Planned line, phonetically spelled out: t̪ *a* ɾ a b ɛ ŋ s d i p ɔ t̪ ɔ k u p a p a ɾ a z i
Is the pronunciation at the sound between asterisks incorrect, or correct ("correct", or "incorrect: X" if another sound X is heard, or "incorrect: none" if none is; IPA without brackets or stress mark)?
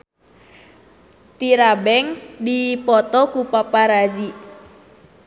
incorrect: i